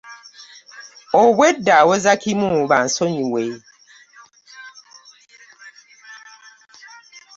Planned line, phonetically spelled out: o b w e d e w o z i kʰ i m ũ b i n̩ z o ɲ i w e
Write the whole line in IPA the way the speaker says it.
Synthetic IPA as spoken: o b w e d a w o z a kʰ i m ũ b a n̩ s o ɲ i w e